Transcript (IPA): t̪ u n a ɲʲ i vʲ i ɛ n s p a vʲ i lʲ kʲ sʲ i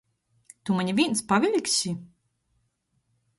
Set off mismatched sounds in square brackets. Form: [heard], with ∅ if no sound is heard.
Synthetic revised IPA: t̪ u [m] a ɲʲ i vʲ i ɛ n s p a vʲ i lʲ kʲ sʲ i